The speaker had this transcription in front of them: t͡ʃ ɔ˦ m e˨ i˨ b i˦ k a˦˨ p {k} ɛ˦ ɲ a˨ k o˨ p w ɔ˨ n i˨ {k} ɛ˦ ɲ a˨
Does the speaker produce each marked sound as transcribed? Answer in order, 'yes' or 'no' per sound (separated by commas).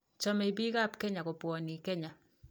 yes, yes